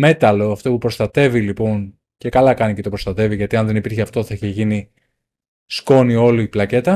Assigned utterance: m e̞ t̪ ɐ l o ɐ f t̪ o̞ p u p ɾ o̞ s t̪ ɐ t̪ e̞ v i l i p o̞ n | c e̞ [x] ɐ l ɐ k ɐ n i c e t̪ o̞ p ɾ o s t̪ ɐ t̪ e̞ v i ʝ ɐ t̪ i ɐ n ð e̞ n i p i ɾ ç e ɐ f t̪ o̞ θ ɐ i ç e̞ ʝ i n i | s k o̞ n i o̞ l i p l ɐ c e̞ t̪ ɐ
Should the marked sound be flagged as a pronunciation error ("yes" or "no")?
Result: yes